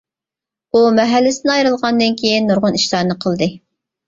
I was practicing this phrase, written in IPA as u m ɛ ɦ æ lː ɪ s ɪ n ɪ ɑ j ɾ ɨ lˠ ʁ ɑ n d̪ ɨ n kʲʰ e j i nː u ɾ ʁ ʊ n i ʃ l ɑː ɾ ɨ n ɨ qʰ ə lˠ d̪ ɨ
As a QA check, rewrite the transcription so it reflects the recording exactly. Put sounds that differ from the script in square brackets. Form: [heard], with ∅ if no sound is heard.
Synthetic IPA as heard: u m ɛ ɦ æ lː ɪ s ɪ n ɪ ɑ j ɾ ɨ lˠ ʁ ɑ n d̪ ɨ n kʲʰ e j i nː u ɾ ʁ ʊ n i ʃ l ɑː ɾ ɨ n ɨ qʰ ə lˠ d̪ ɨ